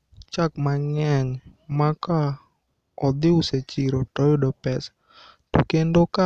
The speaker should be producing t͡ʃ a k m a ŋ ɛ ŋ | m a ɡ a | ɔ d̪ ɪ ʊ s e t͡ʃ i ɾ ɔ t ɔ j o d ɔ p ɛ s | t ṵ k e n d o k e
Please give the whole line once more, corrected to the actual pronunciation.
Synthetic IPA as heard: t͡ʃ a k m a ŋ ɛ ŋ | m a k a | ɔ d̪ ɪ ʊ s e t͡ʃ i ɾ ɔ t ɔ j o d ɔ p ɛ s | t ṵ k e n d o k a

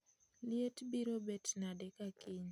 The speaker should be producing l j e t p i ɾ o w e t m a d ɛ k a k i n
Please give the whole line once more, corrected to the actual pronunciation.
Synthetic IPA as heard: l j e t b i ɾ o b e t n a d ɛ k a k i ɲ

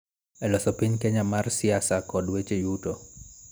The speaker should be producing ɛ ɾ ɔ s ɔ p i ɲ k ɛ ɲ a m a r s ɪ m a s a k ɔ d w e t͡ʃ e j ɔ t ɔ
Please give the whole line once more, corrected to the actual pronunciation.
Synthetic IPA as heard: ɛ l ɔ s ɔ p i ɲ k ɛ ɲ a m a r s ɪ a s a k ɔ d w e t͡ʃ e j u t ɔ

